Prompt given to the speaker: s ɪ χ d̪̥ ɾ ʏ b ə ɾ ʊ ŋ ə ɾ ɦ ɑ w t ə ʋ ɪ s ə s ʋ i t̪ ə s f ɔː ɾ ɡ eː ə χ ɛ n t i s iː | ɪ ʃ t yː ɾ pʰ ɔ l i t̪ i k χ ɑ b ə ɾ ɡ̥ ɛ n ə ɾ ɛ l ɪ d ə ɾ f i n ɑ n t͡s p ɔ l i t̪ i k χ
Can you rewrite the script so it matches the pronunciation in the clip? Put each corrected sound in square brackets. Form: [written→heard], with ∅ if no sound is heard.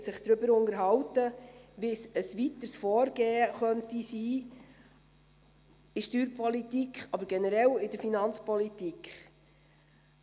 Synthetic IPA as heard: s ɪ χ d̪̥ ɾ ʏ b ə ɾ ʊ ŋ ə ɾ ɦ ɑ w t ə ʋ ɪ s ə s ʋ i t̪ ə s f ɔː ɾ ɡ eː ə χ [ɛ→œ] n t i s iː | ɪ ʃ t yː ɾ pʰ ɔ l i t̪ i k χ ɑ b ə ɾ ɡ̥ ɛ n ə ɾ ɛ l ɪ d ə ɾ f i n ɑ n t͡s p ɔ l i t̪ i k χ